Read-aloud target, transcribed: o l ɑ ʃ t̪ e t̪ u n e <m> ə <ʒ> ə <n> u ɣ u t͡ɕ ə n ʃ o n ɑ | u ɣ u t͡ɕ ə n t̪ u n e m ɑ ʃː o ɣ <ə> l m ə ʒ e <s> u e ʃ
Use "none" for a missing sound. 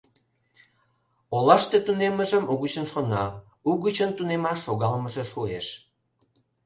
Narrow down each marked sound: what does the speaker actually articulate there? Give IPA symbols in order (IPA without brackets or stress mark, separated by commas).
m, ʒ, m, ɑ, ʃ